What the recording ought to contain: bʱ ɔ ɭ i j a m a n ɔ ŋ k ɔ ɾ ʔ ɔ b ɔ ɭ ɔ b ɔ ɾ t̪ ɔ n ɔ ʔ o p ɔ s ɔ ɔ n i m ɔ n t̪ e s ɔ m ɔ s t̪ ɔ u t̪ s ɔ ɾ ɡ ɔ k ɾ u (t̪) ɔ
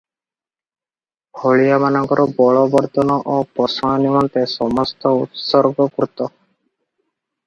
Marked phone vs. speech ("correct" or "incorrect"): correct